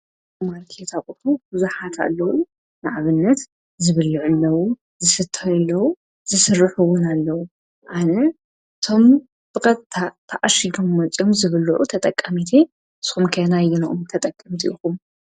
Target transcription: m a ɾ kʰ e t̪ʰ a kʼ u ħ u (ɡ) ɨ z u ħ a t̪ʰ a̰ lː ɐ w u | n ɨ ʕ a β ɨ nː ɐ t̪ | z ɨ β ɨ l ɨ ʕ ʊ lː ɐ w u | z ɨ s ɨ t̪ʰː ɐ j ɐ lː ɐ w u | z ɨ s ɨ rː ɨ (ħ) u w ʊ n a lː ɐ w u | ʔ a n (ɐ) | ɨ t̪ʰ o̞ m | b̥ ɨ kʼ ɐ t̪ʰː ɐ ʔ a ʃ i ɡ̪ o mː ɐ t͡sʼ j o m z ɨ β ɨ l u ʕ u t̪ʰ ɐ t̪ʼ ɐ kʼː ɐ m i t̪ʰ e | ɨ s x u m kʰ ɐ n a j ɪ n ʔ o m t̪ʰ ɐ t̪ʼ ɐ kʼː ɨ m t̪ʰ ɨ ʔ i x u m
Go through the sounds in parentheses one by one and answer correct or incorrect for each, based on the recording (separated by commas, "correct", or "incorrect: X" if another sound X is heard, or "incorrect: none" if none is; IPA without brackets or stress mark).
incorrect: b, correct, correct